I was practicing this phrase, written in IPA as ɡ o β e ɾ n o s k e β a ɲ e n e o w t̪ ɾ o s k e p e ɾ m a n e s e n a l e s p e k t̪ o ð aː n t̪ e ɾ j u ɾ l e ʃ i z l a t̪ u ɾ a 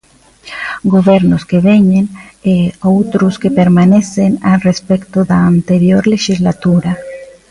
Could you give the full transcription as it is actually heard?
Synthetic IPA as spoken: ɡ o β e ɾ n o s k e β e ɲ e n e o w t̪ ɾ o s k e p e ɾ m a n e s e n a r e s p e k t̪ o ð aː n t̪ e ɾ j o ɾ l e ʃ i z l a t̪ u ɾ a